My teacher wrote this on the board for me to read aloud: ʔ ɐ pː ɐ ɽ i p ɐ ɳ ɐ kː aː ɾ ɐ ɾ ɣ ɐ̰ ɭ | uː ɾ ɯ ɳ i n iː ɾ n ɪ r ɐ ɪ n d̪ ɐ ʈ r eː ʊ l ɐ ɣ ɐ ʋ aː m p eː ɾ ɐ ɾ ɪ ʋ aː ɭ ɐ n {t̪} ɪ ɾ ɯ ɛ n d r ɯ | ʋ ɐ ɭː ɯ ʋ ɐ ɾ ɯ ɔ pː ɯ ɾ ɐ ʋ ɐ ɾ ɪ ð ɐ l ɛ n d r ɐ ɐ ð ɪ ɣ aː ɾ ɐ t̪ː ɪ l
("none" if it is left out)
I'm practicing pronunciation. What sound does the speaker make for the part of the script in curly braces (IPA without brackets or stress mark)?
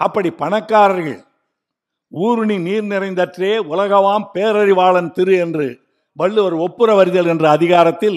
t̪